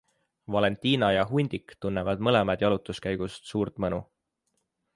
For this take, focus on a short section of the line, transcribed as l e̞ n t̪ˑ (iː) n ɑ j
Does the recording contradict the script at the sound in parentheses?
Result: no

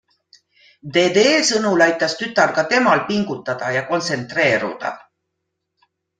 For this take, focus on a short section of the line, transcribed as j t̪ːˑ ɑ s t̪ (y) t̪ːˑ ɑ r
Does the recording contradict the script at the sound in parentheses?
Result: no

